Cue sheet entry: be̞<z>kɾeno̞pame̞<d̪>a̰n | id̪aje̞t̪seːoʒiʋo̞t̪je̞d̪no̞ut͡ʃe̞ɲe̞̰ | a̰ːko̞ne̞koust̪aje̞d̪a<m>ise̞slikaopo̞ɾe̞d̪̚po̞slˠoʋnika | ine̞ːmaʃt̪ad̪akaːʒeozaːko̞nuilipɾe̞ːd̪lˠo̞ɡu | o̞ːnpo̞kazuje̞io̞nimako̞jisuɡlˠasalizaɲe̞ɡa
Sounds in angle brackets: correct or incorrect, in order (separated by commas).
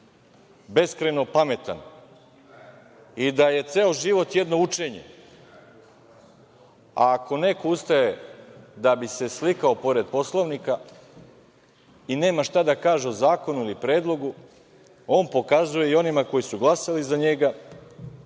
incorrect, incorrect, incorrect